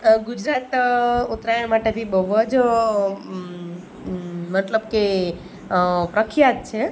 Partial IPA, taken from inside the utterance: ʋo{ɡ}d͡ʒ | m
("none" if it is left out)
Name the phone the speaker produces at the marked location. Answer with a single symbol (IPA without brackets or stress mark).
none